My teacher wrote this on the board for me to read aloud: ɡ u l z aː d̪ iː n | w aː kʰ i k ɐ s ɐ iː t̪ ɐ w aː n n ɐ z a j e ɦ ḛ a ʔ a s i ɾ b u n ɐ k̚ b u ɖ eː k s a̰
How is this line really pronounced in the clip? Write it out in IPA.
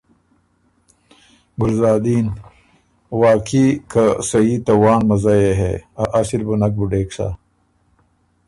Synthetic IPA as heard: ɡ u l z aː d̪ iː n | w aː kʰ i k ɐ s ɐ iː t̪ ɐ w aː n m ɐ z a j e ɦ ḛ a ʔ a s i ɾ b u n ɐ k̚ b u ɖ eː k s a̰